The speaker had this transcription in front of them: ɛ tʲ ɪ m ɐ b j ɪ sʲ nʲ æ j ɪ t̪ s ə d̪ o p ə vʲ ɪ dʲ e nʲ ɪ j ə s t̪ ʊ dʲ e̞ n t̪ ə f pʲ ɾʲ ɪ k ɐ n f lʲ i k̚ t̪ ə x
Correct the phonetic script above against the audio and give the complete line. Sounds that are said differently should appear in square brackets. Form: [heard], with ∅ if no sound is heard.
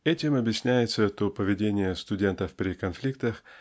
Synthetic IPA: ɛ tʲ ɪ m ɐ b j ɪ sʲ nʲ æ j ɪ t̪ s ə [t̪] o p ə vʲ ɪ dʲ e nʲ ɪ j ə s t̪ ʊ dʲ e̞ n t̪ ə f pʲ ɾʲ ɪ k ɐ n f lʲ i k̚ t̪ ə x